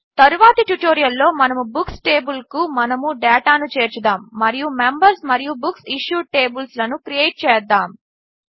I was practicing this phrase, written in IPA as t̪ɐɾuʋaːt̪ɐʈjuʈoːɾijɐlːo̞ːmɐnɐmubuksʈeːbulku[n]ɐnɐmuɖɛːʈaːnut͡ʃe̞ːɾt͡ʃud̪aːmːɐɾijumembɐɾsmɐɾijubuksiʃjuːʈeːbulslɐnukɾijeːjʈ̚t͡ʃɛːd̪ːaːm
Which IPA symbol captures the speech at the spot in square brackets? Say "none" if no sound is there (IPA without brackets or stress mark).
m